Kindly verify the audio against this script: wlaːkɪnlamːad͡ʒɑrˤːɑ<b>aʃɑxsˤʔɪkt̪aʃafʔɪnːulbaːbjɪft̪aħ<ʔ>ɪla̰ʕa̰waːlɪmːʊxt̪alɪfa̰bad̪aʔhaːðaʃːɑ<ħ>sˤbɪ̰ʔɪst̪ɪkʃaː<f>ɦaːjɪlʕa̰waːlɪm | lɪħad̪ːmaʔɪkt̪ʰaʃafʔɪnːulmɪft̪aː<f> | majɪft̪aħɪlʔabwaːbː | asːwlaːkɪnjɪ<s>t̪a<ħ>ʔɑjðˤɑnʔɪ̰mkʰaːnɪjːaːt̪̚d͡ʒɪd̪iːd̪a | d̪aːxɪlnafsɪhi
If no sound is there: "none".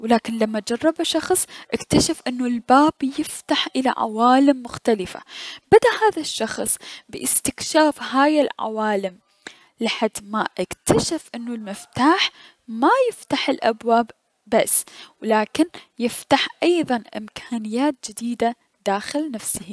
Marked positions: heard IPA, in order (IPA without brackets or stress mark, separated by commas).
b, ʔ, x, f, ħ, f, ħ